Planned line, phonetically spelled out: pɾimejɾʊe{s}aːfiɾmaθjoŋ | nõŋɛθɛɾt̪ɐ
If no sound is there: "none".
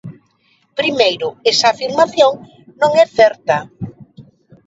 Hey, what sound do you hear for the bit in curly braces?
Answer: s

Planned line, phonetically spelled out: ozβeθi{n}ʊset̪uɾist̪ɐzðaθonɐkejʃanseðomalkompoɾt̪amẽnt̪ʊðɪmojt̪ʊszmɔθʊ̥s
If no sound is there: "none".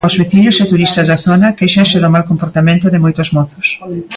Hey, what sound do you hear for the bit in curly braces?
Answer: ɲ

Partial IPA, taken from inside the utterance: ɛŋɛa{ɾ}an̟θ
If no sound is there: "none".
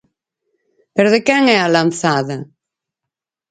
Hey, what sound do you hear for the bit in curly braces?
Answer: l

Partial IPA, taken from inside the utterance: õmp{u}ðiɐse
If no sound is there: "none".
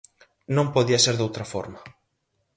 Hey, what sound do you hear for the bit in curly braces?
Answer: o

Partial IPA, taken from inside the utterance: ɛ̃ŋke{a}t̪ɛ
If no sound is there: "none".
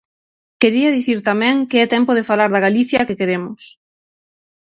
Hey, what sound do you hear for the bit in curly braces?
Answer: ɛ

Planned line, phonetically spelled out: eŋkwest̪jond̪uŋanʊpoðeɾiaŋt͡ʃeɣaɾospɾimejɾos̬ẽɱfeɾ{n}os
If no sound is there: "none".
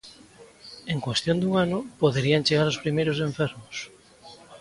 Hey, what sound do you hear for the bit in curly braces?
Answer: m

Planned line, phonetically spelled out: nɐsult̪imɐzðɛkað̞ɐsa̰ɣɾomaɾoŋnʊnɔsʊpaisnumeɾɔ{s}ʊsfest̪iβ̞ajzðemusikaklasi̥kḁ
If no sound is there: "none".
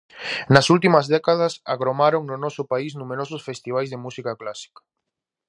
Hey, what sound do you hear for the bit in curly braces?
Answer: s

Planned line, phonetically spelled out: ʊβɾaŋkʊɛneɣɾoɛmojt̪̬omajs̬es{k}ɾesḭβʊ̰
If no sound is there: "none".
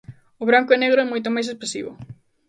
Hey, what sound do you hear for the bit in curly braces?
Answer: p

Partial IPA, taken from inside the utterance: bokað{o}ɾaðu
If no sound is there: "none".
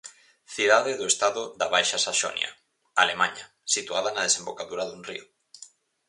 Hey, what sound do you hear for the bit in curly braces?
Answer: u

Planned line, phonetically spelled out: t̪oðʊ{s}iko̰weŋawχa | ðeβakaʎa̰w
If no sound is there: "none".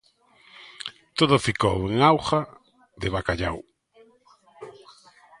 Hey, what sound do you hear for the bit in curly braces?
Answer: f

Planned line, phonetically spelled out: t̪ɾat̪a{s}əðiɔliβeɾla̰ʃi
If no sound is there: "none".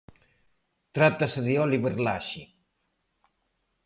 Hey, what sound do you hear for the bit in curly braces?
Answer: s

